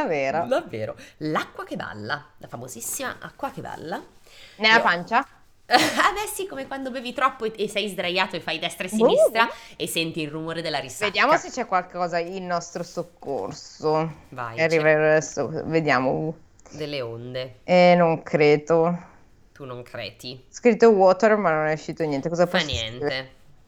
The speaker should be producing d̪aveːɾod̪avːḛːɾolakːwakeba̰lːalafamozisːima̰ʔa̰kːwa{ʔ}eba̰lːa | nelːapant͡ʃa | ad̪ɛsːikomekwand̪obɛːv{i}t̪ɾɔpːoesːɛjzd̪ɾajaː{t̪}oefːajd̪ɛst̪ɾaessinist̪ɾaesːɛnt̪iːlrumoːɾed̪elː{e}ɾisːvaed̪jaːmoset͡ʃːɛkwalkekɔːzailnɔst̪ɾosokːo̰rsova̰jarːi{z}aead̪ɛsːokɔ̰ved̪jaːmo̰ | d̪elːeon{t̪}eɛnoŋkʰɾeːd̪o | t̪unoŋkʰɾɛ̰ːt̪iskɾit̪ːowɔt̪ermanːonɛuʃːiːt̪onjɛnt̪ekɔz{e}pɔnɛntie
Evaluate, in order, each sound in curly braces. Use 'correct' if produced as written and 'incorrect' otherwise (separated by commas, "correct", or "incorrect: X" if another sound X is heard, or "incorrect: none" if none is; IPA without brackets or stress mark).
incorrect: k, correct, correct, incorrect: a, incorrect: v, incorrect: d̪, incorrect: a